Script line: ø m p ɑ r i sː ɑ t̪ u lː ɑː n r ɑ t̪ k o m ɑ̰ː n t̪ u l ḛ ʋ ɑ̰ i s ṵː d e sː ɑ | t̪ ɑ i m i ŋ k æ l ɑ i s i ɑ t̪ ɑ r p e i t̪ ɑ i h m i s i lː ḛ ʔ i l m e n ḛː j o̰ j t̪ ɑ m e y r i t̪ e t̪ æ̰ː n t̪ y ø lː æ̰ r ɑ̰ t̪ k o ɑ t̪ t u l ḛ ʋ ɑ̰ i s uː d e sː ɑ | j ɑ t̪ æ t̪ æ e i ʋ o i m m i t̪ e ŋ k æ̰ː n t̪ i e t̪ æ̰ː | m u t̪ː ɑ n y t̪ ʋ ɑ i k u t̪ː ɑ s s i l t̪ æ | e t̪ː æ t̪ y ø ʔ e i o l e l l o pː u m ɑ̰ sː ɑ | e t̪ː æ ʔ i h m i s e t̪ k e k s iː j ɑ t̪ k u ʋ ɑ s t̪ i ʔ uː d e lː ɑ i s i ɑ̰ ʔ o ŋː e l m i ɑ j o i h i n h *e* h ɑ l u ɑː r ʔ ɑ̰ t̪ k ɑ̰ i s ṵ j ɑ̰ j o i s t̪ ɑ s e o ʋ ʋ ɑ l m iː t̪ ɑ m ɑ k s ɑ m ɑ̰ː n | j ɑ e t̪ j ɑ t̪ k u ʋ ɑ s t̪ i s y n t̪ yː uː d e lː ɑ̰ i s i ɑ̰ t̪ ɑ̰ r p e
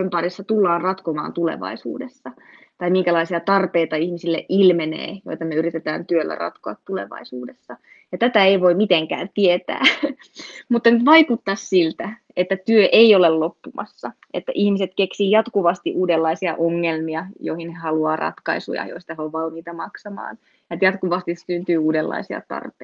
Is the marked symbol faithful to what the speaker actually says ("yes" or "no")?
yes